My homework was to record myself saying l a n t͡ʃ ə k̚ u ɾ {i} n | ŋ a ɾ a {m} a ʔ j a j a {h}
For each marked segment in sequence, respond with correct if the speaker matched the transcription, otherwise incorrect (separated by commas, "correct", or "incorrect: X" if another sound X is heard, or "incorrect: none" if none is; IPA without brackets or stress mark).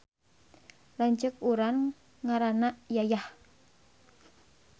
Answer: incorrect: a, incorrect: n, correct